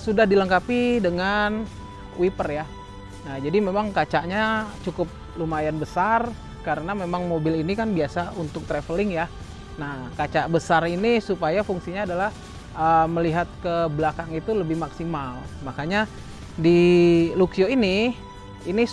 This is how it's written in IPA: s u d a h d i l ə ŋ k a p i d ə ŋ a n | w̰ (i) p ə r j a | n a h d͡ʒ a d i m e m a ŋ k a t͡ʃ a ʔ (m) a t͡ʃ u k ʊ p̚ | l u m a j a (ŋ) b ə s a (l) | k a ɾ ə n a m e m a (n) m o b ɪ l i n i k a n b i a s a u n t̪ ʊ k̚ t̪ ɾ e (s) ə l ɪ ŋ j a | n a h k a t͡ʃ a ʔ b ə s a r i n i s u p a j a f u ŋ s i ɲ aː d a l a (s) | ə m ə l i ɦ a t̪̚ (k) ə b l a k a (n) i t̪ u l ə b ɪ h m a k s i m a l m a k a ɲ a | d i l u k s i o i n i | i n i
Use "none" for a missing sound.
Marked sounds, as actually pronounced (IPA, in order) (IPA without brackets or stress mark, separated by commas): i, ɲ, n, r, ŋ, f, h, k, ŋ